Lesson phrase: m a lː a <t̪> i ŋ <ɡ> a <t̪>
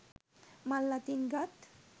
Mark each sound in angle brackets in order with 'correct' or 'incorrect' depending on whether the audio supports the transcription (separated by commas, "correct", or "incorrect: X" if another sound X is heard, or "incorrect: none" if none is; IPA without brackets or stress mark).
correct, correct, correct